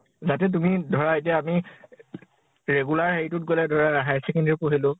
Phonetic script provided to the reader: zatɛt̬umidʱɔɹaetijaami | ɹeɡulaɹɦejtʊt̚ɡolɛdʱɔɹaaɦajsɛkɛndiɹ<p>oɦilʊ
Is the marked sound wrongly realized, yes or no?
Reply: no